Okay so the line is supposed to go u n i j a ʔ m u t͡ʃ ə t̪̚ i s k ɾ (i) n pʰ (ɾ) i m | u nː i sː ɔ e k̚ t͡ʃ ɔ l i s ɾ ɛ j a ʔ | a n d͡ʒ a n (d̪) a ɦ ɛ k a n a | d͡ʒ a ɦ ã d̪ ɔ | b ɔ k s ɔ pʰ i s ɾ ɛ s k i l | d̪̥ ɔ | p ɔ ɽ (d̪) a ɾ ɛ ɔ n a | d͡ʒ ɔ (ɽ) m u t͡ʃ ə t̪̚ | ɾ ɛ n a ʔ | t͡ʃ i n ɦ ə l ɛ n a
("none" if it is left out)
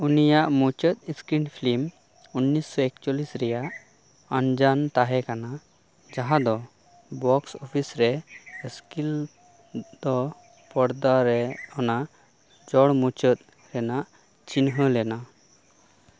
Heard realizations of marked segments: i, l, t̪, d̪, ɽ

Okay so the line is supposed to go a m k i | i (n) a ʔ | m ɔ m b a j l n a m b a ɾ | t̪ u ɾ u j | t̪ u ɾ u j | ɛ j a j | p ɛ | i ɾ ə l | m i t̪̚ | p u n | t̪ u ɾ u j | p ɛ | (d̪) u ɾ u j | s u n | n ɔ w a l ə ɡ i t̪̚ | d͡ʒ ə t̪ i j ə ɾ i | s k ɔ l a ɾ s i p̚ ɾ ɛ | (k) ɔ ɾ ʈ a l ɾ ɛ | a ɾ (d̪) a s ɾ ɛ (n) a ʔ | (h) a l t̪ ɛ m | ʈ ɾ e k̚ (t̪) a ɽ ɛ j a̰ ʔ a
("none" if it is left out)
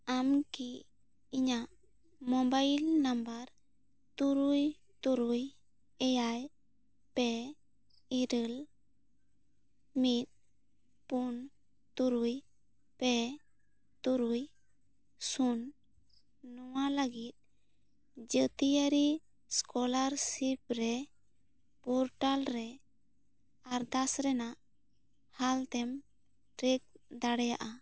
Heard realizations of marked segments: ɲ, t̪, p, d̪, n, h, d̪

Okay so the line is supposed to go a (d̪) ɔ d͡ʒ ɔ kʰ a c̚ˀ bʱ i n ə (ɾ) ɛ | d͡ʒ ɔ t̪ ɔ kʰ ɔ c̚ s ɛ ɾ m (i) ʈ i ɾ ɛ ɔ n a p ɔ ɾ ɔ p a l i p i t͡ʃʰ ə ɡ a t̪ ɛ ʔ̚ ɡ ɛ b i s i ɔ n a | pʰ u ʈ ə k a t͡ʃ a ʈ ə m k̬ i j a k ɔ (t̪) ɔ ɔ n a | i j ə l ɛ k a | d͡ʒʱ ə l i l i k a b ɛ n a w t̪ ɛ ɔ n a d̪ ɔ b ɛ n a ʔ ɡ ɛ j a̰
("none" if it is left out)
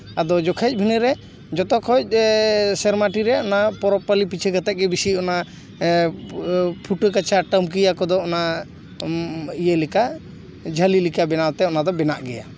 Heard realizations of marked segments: d̪, ɾ, a, d̪

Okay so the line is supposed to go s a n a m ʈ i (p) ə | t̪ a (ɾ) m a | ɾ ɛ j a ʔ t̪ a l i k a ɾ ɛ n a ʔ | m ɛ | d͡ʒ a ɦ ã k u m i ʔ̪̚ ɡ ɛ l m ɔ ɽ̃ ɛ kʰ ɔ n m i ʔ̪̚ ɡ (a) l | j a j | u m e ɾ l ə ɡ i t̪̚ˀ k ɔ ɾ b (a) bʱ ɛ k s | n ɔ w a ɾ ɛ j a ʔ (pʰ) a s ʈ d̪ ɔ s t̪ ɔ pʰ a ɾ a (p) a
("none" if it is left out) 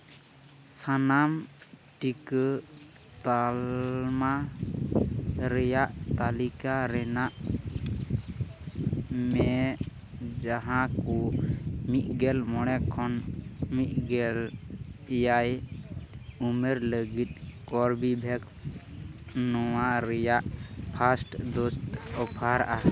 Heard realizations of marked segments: k, l, ɛ, i, pʰ, ʔ

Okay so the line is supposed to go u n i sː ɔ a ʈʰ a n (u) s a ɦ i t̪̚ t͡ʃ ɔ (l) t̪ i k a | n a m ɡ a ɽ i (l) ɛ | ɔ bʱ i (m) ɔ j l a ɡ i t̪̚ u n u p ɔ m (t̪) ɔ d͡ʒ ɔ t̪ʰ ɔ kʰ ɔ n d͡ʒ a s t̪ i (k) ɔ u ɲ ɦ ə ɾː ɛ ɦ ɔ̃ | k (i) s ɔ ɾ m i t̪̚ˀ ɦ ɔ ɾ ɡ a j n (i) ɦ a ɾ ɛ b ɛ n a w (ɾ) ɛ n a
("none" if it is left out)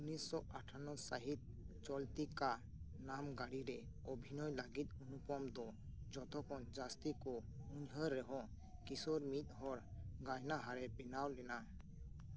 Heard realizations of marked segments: ɔ, l, ɾ, n, d̪, k, i, a, l

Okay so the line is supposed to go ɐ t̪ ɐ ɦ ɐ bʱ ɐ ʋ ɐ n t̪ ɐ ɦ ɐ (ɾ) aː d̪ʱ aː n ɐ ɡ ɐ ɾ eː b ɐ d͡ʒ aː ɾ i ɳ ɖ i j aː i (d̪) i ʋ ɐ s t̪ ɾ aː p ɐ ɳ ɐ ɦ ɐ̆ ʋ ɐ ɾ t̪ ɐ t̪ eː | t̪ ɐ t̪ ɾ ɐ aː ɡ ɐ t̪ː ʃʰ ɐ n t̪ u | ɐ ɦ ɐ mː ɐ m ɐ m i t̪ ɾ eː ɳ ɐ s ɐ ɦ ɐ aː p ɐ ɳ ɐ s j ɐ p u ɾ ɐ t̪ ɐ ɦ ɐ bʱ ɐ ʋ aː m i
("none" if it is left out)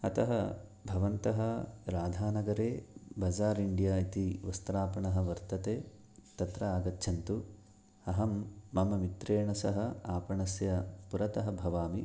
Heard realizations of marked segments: ɾ, t̪

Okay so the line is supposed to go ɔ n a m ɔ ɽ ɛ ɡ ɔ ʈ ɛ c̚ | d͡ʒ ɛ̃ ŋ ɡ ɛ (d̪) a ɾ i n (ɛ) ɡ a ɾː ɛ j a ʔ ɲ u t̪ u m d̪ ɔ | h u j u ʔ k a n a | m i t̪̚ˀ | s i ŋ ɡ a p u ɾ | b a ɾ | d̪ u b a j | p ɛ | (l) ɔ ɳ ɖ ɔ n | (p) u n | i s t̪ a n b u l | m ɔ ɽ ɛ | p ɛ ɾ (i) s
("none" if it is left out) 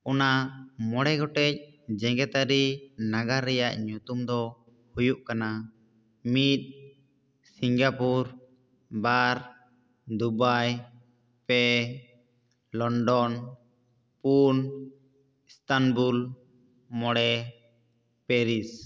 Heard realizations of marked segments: t̪, a, l, p, i

